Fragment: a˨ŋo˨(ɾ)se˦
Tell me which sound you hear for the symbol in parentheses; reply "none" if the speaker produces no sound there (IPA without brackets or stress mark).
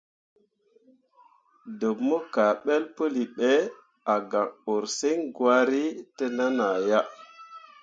ɾ